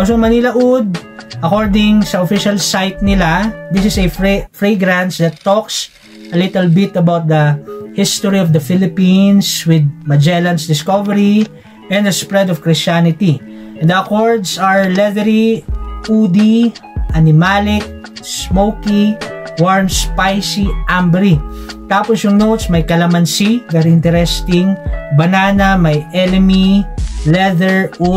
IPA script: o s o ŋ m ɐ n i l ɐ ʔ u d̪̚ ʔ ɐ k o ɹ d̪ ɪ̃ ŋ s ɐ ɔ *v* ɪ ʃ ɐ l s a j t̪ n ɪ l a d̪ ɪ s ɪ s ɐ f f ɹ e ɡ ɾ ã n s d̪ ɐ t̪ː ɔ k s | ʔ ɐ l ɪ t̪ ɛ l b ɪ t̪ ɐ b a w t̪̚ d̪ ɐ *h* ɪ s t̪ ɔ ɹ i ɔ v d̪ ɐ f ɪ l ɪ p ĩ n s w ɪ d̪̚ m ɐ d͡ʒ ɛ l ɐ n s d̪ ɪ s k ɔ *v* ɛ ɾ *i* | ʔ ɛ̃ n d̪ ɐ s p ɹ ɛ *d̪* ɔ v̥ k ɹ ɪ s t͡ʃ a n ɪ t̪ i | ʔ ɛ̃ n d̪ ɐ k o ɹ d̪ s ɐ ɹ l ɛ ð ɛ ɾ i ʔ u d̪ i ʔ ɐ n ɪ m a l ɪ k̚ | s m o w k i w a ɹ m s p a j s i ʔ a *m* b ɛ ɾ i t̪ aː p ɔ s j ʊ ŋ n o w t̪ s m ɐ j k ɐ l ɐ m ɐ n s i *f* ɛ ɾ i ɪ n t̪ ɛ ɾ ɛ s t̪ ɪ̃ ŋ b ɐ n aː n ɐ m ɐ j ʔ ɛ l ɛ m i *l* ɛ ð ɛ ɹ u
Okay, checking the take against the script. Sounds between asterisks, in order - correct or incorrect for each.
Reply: incorrect: f, correct, correct, correct, correct, correct, incorrect: v, correct

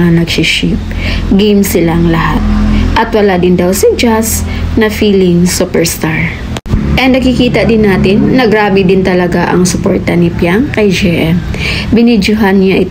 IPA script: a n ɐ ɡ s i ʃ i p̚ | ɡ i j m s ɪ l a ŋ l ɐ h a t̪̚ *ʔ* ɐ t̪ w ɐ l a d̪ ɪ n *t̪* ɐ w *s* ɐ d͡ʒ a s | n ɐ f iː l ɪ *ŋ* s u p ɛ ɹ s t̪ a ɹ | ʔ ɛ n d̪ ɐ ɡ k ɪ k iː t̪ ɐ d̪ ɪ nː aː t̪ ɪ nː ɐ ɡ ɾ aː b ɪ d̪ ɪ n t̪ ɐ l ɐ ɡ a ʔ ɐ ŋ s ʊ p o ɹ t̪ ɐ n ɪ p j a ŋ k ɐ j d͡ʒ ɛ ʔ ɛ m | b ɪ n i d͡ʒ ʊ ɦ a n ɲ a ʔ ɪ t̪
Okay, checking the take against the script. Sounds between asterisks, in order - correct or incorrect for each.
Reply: correct, incorrect: d̪, correct, correct

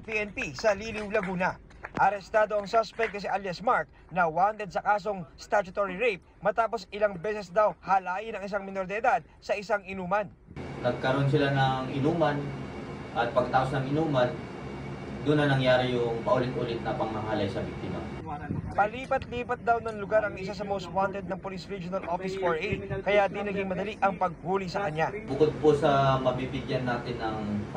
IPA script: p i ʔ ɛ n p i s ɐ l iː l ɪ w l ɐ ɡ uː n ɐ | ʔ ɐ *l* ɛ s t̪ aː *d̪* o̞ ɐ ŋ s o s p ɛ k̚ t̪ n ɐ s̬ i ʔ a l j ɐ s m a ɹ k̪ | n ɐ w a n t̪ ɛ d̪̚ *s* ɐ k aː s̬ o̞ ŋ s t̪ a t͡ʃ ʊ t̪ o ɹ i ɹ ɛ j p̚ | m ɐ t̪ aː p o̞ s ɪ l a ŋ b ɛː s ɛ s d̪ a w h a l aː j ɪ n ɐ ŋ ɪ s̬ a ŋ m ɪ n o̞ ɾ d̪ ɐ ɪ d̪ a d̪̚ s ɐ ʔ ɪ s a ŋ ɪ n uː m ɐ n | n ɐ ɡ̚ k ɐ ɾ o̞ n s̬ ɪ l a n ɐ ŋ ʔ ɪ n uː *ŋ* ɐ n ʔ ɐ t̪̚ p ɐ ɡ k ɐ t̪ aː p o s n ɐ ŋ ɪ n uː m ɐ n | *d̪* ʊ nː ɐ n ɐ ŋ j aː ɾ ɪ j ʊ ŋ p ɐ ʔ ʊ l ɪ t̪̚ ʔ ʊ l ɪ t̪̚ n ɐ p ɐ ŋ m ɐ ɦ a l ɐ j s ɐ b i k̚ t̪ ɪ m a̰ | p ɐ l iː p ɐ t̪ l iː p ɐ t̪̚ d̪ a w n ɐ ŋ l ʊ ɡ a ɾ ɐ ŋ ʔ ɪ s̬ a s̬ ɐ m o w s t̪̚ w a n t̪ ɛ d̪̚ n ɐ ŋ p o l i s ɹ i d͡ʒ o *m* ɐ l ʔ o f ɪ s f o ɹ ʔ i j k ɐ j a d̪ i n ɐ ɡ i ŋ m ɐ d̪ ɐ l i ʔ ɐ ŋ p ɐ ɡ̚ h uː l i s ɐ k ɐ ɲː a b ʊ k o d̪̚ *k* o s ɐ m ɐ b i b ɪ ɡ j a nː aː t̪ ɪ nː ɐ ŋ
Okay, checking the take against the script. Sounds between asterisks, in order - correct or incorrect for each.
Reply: incorrect: ɾ, correct, correct, incorrect: m, correct, incorrect: n, incorrect: p

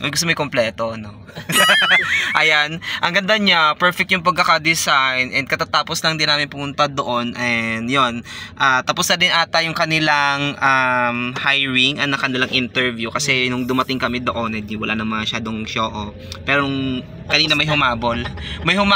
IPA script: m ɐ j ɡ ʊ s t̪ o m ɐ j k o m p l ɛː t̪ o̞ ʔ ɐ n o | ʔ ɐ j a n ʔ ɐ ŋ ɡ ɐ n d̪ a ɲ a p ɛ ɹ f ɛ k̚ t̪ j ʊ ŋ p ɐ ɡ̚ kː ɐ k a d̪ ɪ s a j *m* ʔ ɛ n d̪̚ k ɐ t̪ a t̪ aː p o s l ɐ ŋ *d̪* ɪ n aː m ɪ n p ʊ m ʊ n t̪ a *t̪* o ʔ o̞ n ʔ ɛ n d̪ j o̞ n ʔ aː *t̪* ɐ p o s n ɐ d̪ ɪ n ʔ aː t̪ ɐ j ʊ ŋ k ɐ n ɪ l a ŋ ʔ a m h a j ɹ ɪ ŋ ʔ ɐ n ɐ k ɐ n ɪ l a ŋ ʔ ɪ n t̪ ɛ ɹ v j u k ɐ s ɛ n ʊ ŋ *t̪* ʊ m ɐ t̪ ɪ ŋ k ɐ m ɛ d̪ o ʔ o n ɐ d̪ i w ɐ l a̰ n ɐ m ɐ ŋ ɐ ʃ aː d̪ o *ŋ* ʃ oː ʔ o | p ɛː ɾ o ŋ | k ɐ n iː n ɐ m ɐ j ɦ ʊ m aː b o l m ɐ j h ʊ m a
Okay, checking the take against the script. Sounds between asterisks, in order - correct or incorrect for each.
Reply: incorrect: n, correct, incorrect: d̪, correct, incorrect: d̪, correct

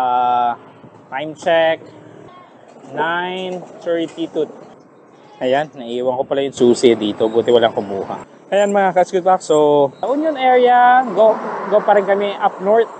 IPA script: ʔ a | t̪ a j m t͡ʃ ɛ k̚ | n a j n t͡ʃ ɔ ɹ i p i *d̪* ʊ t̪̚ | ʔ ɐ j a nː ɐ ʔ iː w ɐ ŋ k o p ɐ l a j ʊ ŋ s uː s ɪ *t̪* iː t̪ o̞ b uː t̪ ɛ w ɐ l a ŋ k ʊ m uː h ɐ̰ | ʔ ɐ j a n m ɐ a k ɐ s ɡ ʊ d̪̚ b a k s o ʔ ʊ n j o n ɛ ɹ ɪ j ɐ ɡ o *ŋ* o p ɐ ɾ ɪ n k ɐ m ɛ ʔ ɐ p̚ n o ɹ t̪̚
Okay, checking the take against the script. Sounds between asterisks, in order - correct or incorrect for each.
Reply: incorrect: t̪, incorrect: d̪, incorrect: ɡ

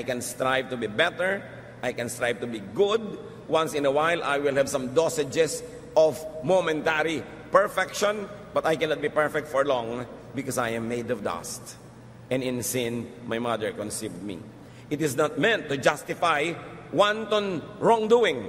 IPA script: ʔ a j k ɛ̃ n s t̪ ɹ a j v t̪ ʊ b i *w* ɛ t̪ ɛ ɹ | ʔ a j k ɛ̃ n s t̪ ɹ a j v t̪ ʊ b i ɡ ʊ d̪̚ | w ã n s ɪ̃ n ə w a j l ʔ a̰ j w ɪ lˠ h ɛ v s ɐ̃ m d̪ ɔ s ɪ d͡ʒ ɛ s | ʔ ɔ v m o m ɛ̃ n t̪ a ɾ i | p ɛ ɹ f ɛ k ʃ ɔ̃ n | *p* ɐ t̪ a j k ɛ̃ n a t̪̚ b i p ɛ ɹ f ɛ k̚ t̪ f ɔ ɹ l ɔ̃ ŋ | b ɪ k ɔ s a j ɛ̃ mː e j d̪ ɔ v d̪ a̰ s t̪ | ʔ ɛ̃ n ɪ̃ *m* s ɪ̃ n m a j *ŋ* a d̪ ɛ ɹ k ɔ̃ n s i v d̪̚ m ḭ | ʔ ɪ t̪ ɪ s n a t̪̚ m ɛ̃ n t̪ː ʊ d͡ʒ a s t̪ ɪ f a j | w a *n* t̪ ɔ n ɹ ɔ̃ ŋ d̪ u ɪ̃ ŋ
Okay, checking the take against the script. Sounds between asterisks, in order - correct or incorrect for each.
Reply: incorrect: b, incorrect: b, incorrect: n, incorrect: m, correct

